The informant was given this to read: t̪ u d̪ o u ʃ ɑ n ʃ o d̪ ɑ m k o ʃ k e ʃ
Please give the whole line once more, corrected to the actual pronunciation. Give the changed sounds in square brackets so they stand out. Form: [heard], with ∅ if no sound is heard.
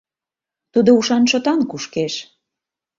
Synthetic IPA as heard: t̪ u d̪ o u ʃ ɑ n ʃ o [t̪] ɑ [n] k [u] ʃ k e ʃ